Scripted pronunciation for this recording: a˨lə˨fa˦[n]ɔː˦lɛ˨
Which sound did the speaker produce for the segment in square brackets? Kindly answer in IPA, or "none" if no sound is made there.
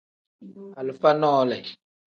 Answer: n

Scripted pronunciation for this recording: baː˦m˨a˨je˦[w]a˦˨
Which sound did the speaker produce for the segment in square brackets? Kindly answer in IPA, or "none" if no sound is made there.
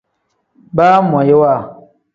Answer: w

